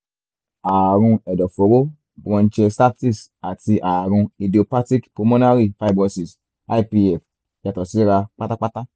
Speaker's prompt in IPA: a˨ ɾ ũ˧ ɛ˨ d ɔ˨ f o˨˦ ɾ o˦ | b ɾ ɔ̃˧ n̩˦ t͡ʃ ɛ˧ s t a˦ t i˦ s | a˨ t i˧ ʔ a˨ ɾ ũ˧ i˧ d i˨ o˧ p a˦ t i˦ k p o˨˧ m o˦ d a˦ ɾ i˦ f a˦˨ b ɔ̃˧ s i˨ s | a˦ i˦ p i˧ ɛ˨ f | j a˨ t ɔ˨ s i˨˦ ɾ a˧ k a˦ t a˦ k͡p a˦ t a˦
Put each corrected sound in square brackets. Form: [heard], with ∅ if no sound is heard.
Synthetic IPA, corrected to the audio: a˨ ɾ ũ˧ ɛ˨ d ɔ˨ f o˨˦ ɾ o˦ | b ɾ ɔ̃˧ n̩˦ t͡ʃ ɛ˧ s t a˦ t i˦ s | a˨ t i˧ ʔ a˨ ɾ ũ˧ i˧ d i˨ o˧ p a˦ t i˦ k p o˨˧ m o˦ [n] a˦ ɾ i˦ f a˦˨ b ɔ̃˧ s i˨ s | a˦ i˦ p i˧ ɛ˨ f | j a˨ t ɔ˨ s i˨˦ ɾ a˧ [k͡p] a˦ t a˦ k͡p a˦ t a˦